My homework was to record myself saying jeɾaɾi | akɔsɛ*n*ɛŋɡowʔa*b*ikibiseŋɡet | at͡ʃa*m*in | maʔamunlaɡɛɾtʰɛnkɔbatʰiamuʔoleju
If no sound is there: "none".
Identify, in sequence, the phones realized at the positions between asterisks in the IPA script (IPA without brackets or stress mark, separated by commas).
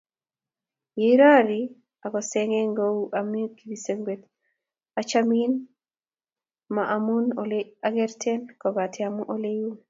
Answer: ŋ, m, m